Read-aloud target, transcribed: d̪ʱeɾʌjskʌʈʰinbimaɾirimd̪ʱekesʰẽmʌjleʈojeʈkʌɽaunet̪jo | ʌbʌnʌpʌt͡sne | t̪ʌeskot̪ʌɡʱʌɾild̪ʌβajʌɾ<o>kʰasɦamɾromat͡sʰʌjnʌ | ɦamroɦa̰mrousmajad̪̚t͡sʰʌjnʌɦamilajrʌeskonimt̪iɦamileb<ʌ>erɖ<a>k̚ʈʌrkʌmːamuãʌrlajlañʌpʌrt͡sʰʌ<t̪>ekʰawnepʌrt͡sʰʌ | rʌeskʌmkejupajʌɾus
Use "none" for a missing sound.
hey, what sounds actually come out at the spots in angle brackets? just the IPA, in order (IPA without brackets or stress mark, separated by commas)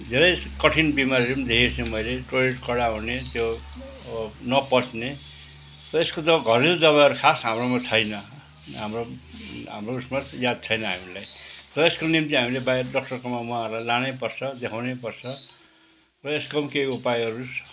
u, a, ʌ, d̪